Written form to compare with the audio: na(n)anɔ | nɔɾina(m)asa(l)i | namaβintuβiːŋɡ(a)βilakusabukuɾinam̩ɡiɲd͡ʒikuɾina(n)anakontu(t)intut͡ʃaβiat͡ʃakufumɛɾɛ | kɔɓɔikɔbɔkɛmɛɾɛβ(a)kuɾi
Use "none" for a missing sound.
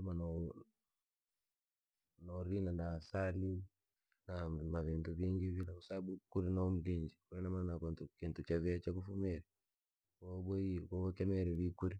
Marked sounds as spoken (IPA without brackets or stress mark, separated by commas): m, n, l, i, m, k, i